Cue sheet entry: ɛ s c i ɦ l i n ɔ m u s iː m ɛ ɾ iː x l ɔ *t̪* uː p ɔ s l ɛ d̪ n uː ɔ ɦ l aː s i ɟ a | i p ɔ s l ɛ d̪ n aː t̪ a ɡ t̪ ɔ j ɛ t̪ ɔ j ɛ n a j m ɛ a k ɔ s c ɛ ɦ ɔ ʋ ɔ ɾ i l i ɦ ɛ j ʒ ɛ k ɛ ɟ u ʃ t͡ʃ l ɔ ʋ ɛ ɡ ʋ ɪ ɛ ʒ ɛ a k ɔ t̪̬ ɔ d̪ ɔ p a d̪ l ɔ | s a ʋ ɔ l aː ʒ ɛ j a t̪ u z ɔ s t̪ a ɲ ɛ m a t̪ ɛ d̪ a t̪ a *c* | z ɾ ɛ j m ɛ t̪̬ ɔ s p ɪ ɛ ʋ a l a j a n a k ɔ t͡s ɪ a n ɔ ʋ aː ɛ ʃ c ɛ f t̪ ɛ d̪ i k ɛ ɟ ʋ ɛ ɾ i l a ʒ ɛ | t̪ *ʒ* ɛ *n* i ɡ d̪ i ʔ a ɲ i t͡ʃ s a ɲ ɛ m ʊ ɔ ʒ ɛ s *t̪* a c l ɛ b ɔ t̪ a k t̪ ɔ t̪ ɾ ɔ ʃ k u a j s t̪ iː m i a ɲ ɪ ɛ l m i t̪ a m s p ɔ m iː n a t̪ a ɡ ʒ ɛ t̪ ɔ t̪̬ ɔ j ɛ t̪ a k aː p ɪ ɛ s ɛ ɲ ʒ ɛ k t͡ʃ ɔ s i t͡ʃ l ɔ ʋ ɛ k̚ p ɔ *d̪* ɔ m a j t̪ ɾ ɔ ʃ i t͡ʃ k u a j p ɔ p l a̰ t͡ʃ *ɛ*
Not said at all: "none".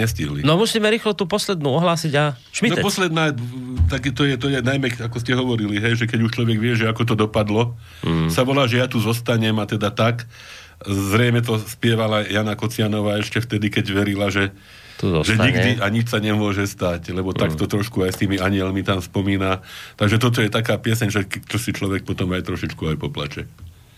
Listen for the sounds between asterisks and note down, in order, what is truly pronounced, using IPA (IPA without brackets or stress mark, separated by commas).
t̪, k, ʒ, ɲ, t̪, t̪, ɛ